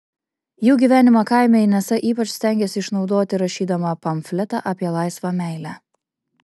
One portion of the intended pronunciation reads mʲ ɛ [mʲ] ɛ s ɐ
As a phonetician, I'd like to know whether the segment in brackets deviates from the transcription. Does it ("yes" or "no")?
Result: yes